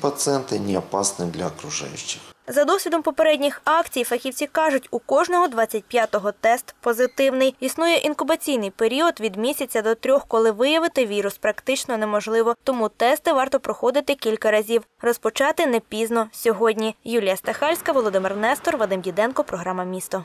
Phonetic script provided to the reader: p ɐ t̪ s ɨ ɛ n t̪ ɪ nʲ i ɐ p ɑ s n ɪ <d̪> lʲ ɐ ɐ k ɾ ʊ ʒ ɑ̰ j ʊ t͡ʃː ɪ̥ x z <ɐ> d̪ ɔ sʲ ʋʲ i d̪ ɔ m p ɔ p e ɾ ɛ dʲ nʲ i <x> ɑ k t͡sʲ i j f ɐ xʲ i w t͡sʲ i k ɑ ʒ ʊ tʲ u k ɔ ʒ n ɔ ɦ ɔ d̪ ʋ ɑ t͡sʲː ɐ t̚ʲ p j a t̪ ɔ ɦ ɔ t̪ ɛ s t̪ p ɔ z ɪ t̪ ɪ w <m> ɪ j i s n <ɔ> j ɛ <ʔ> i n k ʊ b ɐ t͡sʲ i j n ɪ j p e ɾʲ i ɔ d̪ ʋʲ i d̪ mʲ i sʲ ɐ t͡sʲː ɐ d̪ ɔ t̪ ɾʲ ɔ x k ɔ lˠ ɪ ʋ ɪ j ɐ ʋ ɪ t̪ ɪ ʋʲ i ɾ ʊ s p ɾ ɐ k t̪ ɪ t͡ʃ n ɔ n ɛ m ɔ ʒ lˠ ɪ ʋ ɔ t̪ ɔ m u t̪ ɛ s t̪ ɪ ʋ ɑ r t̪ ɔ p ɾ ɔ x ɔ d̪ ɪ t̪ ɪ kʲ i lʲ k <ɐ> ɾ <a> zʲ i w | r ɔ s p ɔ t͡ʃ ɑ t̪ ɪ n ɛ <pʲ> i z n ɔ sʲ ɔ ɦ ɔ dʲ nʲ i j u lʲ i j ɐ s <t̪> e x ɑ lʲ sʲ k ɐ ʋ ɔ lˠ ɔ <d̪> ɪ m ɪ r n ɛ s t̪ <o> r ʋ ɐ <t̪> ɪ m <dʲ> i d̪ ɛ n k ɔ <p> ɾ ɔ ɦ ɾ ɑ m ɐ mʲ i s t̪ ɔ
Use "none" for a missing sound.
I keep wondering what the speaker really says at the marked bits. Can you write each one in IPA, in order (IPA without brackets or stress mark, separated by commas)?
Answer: d̪, ɐ, x, n, u, ʔ, ɐ, ɐ, pʲ, t̪, d̪, ɔ, d̪, dʲ, p